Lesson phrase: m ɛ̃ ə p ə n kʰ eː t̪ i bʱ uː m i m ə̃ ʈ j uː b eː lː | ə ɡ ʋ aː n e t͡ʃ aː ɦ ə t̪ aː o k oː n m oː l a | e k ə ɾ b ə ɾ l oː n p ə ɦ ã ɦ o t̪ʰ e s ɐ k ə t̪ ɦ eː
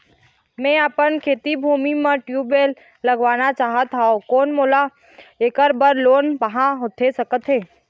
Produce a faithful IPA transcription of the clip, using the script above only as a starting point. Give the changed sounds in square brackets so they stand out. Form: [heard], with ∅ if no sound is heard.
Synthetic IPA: m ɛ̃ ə p ə n kʰ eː t̪ i bʱ uː m i m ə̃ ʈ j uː b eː lː | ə ɡ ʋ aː n [a] t͡ʃ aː ɦ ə t̪ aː o k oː n m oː l a | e k ə ɾ b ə ɾ l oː n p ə ɦ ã ɦ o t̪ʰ e s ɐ k ə t̪ ɦ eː